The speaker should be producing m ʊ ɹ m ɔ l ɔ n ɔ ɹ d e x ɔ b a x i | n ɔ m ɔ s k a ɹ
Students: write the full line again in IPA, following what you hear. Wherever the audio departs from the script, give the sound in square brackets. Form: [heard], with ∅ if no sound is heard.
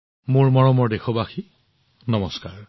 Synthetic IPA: m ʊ ɹ m ɔ [ɹ] ɔ [m] ɔ ɹ d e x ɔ b a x i | n ɔ m ɔ s k a ɹ